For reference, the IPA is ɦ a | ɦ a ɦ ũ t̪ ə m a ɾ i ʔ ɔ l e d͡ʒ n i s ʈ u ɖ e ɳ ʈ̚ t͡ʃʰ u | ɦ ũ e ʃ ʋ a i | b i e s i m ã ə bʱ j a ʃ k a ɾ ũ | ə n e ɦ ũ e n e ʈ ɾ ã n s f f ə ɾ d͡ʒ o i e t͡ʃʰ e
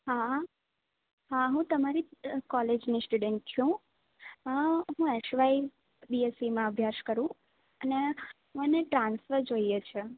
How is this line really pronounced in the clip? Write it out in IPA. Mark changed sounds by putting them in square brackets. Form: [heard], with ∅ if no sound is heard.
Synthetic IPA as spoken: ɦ a | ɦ a ɦ ũ t̪ ə m a ɾ i [k] ɔ l e d͡ʒ n i s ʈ u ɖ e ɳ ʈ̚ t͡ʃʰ [ũ] | ɦ ũ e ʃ ʋ a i | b i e s i m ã ə bʱ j a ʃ k [ə] ɾ ũ | ə n e ɦ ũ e n e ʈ ɾ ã n s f f ə ɾ d͡ʒ o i e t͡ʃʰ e